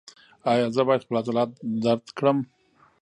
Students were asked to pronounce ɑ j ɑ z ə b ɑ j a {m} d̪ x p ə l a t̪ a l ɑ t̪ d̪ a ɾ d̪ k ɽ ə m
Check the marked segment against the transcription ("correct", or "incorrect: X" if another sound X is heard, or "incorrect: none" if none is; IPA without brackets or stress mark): incorrect: none